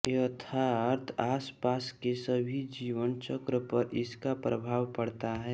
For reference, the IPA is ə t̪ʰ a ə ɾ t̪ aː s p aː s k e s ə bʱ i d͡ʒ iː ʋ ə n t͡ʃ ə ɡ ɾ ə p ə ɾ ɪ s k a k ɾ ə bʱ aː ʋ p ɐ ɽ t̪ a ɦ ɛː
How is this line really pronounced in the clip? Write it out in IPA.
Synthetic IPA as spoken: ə t̪ʰ a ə ɾ t̪ʰ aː s p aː s k e s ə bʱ i d͡ʒ iː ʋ ə n t͡ʃ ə k ɾ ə p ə ɾ ɪ s k a p ɾ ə bʱ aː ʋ p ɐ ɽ t̪ a ɦ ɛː